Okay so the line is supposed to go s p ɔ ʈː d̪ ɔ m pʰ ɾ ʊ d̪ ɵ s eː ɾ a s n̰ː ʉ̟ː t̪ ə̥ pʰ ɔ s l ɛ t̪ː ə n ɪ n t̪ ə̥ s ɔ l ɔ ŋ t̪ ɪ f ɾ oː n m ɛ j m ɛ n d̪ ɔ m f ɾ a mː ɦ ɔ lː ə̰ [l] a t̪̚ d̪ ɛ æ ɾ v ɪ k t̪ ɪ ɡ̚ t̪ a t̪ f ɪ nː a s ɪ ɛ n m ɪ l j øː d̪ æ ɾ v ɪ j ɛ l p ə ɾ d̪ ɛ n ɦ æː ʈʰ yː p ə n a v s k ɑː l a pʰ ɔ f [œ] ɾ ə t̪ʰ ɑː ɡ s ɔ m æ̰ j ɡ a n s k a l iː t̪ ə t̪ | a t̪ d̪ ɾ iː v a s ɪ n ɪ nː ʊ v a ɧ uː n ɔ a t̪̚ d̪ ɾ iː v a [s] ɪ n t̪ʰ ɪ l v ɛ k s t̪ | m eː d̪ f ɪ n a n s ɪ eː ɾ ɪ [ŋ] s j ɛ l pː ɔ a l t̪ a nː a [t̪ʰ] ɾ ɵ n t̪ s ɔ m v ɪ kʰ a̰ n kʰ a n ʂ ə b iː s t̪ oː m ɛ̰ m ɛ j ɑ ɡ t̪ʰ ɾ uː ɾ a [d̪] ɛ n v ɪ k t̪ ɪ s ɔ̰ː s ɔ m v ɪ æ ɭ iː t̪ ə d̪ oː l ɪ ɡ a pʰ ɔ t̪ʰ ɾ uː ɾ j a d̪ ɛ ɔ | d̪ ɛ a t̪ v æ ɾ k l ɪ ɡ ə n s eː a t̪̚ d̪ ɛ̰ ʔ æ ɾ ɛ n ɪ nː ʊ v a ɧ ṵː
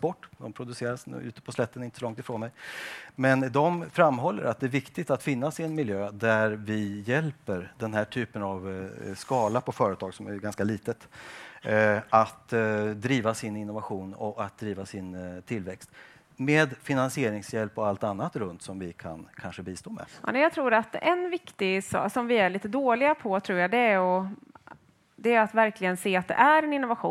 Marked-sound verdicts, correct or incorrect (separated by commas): incorrect, incorrect, correct, correct, incorrect, incorrect